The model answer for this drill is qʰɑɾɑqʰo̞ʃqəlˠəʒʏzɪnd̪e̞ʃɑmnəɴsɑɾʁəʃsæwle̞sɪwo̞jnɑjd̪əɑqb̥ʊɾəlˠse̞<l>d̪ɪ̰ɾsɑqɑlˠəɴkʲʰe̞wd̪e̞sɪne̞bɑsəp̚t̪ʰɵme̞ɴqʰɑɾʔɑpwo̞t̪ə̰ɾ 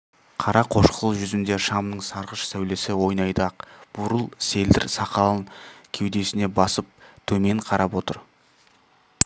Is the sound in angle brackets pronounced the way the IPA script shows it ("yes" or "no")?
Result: yes